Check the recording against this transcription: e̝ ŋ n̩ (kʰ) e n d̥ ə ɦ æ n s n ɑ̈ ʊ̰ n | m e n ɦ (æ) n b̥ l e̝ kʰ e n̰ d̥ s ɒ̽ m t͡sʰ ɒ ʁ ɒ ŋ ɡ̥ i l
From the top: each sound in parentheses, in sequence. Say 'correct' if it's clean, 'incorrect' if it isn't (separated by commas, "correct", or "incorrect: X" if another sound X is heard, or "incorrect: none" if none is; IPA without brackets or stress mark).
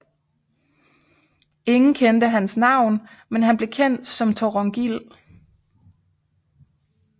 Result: correct, correct